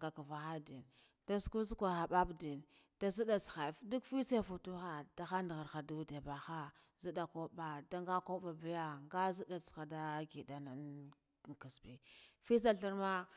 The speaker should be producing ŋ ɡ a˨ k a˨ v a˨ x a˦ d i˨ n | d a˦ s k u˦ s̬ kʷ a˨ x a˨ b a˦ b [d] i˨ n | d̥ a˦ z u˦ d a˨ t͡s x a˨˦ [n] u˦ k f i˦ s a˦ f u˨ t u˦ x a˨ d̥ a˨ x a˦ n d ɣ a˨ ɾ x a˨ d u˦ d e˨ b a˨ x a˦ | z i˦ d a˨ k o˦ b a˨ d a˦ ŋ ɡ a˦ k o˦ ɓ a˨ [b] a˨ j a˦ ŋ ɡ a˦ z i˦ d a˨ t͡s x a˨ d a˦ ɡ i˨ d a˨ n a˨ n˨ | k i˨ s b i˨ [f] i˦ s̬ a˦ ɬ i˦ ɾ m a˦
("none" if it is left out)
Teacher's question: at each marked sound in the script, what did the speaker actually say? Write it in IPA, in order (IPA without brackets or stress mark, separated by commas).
d, d, b, f